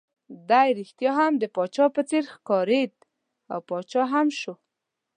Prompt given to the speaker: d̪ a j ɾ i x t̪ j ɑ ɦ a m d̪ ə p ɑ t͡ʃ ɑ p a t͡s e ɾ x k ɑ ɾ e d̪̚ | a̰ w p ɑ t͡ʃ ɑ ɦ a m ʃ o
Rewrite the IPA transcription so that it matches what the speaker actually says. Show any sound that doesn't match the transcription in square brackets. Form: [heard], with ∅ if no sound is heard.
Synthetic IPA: d̪ a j ɾ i x t̪ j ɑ ɦ a m d̪ ə p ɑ t͡ʃ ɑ p [ə] t͡s e ɾ x k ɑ ɾ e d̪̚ | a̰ w p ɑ t͡ʃ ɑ ɦ a m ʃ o

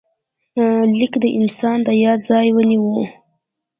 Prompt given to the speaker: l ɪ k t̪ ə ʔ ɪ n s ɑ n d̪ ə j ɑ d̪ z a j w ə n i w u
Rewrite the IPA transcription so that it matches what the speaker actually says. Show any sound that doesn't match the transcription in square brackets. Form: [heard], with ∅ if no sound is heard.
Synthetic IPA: l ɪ k [d̪] ə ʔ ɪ n s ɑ n d̪ ə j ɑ d̪ z [ɑ] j w ə n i w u

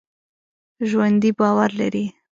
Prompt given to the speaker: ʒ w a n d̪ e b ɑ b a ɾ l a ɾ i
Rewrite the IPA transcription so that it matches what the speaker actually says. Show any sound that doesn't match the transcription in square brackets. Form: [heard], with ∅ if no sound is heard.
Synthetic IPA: ʒ w a n d̪ [i] b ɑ [w] a ɾ l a ɾ i

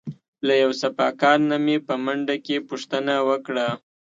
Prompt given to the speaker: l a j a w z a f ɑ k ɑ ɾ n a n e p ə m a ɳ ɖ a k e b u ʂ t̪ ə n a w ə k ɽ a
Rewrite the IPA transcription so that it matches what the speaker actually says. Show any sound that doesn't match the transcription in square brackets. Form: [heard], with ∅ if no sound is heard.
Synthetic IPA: l a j a w [s] a f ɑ k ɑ ɾ n a [m] e p ə m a ɳ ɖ a k e [p] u ʂ t̪ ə n a w ə k ɽ a

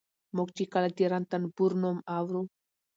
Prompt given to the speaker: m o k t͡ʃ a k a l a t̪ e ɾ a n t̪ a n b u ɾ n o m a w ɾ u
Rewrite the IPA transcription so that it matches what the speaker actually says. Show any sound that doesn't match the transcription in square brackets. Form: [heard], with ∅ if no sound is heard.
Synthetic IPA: m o k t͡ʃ [i] k a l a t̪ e ɾ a n t̪ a n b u ɾ n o m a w ɾ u

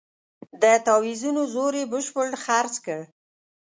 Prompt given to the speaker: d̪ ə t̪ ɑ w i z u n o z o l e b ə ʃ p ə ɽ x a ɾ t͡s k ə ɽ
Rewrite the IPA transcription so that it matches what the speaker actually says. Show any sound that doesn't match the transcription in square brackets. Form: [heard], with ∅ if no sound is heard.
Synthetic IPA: d̪ ə t̪ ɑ w i z u n o z o [ɾ] e b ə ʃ p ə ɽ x a ɾ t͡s k ə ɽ

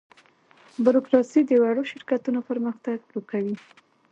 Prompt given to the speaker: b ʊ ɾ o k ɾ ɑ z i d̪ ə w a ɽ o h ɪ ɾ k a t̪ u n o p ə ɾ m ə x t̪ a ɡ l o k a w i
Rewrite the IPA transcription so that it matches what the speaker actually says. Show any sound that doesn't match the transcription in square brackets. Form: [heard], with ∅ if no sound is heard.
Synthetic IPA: b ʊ ɾ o k ɾ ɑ [s] i d̪ ə w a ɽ o [ʃ] ɪ ɾ k a t̪ u n o p ə ɾ m ə x t̪ a ɡ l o k a w i

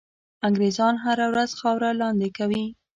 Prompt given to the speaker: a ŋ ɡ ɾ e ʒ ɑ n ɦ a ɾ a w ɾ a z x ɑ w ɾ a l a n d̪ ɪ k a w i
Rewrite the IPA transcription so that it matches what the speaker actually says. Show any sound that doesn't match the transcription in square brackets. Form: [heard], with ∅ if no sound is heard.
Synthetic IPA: a ŋ ɡ ɾ e [z] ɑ n ɦ a ɾ a w ɾ a z x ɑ w ɾ a l [ɑ] n d̪ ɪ k a w i

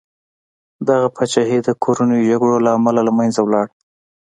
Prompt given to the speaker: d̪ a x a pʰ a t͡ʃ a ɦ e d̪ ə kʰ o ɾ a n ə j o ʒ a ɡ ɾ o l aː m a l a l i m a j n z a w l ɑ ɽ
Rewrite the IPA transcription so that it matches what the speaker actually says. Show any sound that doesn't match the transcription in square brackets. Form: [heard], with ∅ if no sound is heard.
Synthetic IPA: d̪ a [ɣ] a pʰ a t͡ʃ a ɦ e d̪ ə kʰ o ɾ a n ə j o ʒ a ɡ [ɽ] o l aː m a l a l [a] m a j n z a w l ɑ ɽ

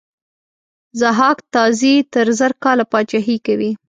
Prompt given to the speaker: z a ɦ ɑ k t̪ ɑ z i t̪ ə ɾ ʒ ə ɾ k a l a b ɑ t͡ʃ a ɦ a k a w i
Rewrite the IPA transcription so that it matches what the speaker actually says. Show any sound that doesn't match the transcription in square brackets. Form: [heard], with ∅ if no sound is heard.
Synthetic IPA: z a ɦ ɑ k t̪ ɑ z i t̪ ə ɾ [z] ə ɾ k [ɑ] l a [p] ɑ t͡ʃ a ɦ [i] k a w i

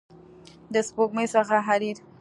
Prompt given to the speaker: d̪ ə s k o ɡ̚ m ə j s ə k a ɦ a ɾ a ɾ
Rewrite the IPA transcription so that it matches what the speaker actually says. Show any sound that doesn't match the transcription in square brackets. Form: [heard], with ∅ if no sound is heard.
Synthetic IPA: d̪ ə s [p] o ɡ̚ m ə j s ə [x] a ɦ a ɾ [i] ɾ

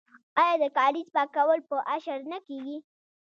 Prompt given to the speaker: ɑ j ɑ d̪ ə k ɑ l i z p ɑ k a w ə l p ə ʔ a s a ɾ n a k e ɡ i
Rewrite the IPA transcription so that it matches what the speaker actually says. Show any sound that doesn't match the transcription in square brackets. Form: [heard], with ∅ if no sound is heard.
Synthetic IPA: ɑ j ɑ d̪ ə k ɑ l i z p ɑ k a w ə l p ə ʔ a [ʃ] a ɾ n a k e ɡ i

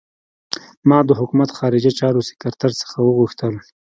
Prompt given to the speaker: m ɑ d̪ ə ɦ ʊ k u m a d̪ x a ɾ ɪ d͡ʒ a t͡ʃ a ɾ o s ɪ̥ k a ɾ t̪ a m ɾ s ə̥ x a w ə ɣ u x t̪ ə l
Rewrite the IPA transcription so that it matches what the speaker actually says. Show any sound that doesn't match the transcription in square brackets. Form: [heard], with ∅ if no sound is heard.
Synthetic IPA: m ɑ d̪ ə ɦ ʊ k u m a [t̪] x [ɑ] ɾ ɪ d͡ʒ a t͡ʃ [ɑ] ɾ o s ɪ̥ k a ɾ t̪ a [∅] ɾ s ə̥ x a w ə ɣ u x t̪ ə l

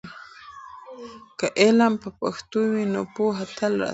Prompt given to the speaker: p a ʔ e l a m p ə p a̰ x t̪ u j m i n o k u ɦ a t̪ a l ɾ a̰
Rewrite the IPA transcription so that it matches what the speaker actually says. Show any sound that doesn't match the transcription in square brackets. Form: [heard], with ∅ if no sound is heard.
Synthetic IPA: [k] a ʔ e l a m p [a] p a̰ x t̪ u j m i n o [p] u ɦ a t̪ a l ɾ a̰

